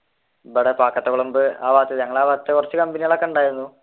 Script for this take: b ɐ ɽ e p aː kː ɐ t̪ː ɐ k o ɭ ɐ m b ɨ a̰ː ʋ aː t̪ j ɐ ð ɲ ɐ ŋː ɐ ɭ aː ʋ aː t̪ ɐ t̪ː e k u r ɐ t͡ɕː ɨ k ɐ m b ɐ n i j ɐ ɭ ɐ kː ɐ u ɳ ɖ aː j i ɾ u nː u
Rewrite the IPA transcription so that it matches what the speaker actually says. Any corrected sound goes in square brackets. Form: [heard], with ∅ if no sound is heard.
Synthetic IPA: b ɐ ɽ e p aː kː ɐ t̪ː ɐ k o ɭ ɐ m b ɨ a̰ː ʋ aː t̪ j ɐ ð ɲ ɐ ŋː ɐ ɭ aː ʋ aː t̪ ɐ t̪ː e k u r ɐ t͡ɕː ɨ k ɐ m b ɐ n i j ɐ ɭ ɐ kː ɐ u ɳ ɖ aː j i ɾ u nː u